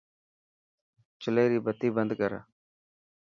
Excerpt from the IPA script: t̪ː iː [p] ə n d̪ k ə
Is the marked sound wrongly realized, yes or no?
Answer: yes